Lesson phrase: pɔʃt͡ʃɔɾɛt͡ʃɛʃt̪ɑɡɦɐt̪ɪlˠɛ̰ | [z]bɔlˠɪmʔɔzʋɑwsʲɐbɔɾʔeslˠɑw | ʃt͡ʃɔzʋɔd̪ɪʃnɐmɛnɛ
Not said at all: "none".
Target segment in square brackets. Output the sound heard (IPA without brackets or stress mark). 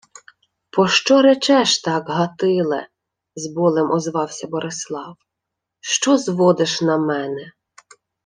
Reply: z